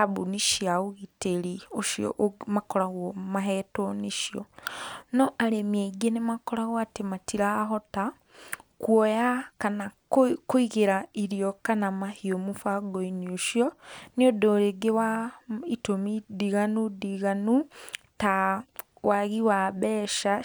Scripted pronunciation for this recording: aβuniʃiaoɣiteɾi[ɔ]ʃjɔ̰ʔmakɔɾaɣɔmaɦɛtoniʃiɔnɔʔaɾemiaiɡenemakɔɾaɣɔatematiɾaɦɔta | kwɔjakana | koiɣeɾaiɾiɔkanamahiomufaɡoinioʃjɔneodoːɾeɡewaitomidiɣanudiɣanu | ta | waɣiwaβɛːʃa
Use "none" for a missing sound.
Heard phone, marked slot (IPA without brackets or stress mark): o